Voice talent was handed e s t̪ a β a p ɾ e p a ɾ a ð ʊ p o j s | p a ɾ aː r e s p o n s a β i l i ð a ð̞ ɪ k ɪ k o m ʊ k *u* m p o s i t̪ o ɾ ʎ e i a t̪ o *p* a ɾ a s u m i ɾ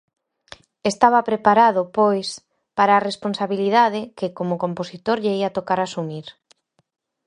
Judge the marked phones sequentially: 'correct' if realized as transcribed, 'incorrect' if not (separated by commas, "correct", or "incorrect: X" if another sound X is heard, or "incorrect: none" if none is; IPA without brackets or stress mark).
incorrect: o, incorrect: k